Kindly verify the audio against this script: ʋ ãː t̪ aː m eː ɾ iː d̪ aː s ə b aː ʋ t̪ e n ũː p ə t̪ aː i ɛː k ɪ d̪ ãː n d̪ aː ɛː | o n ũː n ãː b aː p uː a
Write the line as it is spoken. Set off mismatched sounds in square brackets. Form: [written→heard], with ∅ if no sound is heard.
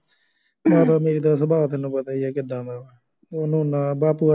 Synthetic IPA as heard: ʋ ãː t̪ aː m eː ɾ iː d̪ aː s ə b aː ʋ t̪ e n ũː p ə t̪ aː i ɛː k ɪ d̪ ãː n d̪ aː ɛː | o n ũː n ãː b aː p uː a